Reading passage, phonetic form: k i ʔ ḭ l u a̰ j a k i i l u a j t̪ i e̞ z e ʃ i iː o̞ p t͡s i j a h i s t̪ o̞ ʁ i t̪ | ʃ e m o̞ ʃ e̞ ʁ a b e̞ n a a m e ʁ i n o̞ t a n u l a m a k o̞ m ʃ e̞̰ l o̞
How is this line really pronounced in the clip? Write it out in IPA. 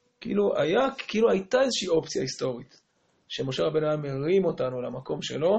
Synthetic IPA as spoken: k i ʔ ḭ l u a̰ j a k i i l u a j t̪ a e̞ z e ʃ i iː o̞ p t͡s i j a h i s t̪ o̞ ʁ i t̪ | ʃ e m o̞ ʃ e̞ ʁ a b e̞ n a a m e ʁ i m o̞ t a n u l a m a k o̞ m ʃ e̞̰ l o̞